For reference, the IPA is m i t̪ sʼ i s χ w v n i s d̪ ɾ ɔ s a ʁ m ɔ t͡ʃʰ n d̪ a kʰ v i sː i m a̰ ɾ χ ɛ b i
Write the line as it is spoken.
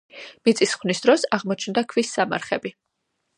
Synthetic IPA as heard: m i t̪ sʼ i s χ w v n i s d̪ ɾ ɔ s a ʁ m ɔ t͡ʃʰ n d̪ a kʰ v i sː a m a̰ ɾ χ ɛ b i